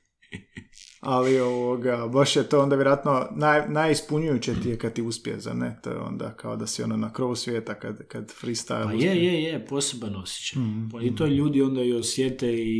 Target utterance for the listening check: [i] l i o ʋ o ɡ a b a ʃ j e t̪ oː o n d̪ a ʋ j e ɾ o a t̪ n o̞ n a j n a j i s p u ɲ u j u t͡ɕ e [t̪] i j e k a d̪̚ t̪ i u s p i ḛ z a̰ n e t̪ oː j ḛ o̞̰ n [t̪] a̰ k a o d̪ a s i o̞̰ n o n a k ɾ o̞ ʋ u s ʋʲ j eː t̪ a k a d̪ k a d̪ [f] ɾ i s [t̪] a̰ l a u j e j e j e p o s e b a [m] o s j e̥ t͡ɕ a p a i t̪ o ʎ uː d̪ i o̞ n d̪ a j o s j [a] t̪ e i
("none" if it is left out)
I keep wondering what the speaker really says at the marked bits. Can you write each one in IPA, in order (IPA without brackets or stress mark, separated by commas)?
a, t̪, d̪, f, t̪, n, e